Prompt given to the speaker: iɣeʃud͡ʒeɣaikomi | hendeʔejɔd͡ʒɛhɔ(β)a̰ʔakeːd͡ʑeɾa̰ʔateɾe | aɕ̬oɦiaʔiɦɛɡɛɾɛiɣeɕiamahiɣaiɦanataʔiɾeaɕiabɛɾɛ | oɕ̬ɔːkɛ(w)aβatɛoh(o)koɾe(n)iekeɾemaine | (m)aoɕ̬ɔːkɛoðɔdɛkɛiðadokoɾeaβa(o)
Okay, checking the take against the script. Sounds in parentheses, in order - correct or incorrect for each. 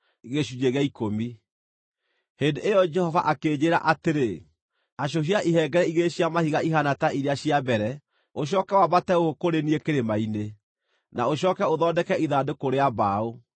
incorrect, correct, correct, correct, incorrect, correct

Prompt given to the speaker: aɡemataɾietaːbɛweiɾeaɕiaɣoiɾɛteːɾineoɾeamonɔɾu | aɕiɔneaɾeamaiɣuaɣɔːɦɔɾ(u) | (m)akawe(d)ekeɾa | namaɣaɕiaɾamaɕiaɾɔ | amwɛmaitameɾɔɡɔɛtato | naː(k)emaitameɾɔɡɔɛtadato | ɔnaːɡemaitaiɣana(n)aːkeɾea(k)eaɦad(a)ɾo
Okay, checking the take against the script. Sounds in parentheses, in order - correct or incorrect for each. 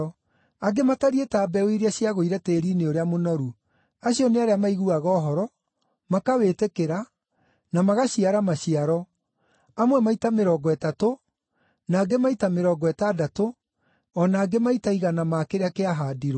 incorrect, correct, incorrect, incorrect, incorrect, correct, incorrect

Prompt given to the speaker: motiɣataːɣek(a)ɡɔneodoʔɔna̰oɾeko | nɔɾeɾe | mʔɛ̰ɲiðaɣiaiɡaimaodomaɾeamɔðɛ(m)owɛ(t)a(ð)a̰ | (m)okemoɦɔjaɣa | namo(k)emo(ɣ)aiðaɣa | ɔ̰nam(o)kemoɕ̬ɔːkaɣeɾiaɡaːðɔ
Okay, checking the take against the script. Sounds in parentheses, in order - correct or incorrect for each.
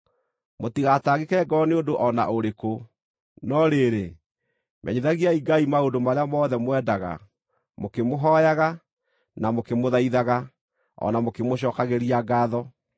incorrect, correct, incorrect, incorrect, correct, correct, incorrect, correct

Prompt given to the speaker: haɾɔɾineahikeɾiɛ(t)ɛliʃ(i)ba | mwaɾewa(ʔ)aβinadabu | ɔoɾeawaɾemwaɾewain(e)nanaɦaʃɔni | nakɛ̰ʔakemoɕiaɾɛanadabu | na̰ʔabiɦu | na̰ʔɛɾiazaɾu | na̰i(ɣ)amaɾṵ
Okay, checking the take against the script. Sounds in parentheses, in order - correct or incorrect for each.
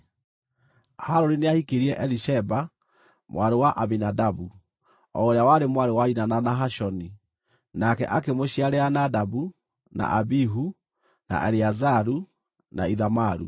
incorrect, incorrect, correct, incorrect, incorrect

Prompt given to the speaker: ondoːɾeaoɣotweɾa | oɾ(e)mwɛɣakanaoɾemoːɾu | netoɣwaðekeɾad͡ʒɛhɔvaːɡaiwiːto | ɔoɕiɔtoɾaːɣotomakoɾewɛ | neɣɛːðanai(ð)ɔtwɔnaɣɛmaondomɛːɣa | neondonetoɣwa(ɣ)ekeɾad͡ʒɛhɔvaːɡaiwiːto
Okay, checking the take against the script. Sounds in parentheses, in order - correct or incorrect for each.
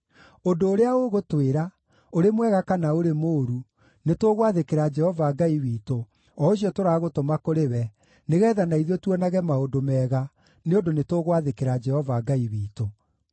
correct, correct, incorrect

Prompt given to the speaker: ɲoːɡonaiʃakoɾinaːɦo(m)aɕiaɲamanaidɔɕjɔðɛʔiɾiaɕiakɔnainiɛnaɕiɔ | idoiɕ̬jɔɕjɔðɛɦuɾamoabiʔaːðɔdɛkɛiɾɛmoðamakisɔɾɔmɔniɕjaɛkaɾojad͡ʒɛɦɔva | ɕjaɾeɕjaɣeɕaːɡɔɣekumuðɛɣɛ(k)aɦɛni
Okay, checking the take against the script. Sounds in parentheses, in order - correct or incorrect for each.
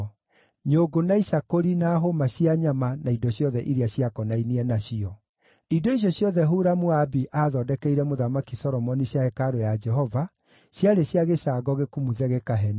correct, correct

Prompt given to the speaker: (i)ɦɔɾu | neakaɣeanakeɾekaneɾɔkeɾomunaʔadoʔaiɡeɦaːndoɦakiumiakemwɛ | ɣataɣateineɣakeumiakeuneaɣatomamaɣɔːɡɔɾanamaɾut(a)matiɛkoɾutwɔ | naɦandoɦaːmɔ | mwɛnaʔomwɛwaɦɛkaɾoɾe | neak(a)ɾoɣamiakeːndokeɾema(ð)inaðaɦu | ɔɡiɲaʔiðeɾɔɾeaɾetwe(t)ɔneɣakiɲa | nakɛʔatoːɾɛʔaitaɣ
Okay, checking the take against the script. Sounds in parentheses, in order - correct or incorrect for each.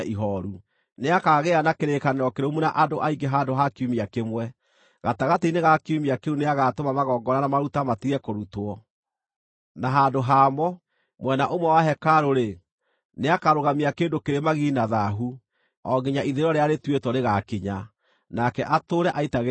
correct, correct, correct, incorrect, correct

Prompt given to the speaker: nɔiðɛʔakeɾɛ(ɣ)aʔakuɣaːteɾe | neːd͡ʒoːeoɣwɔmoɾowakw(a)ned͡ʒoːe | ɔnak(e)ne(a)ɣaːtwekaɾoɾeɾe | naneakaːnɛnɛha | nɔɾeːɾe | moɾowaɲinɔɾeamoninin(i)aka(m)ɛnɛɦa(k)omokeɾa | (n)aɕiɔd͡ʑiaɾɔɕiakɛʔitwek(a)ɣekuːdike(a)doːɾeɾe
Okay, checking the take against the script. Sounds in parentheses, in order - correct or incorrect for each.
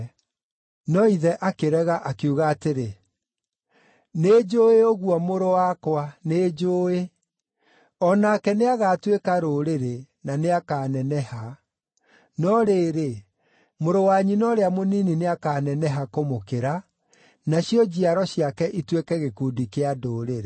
correct, correct, incorrect, correct, incorrect, incorrect, correct, correct, incorrect, correct

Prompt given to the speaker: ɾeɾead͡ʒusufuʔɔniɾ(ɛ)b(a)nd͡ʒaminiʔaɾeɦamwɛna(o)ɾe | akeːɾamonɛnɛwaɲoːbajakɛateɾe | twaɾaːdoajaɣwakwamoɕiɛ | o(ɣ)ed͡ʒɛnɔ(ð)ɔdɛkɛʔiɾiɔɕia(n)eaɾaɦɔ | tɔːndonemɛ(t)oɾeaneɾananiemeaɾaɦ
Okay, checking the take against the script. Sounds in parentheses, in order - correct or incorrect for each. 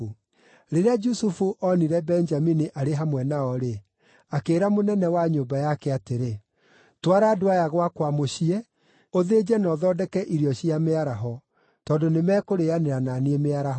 correct, incorrect, incorrect, incorrect, correct, incorrect, incorrect

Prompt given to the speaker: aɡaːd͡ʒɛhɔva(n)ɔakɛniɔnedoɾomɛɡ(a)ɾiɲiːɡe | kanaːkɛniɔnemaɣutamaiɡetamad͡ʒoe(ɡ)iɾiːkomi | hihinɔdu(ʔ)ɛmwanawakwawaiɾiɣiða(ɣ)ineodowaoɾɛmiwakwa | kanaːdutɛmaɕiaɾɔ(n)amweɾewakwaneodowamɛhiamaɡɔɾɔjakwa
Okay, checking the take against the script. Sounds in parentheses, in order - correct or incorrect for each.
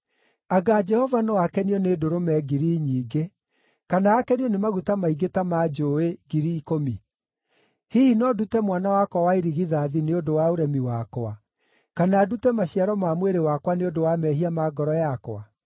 correct, incorrect, correct, incorrect, incorrect, incorrect

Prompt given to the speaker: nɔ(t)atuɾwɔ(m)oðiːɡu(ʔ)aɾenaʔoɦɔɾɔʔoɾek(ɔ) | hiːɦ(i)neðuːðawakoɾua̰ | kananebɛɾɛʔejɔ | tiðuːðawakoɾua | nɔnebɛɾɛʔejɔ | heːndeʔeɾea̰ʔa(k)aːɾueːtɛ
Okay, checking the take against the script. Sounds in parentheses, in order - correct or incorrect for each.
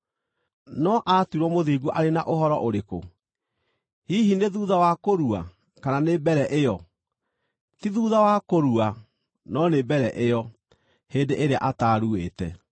incorrect, correct, correct, incorrect, correct, incorrect

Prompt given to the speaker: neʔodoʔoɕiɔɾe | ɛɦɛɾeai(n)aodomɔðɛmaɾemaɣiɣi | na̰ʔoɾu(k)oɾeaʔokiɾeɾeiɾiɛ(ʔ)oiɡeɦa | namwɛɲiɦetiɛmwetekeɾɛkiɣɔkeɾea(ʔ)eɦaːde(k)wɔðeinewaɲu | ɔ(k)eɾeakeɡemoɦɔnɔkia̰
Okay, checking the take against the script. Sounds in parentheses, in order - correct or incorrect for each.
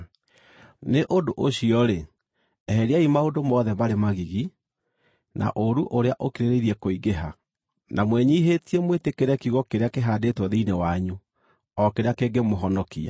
incorrect, incorrect, incorrect, incorrect, incorrect, correct

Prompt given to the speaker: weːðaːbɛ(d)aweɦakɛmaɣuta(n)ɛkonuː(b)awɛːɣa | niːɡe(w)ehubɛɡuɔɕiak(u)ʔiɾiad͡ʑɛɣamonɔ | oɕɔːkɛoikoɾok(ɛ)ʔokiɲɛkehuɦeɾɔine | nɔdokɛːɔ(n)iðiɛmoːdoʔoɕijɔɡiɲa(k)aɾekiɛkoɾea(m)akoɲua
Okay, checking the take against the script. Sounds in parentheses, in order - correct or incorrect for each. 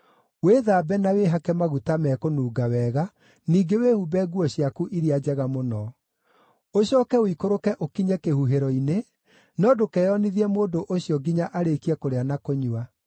incorrect, incorrect, incorrect, correct, correct, correct, correct, incorrect, incorrect

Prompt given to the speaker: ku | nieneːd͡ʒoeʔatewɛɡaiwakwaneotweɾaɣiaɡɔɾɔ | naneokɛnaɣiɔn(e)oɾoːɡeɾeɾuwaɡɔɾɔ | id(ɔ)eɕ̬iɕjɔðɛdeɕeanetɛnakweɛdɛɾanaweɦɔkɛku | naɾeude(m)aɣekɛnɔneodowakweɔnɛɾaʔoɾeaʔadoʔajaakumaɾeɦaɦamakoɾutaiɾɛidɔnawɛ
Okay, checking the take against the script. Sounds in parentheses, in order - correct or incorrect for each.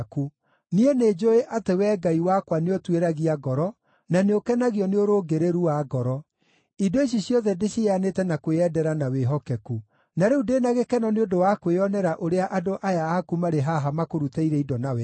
correct, incorrect, incorrect

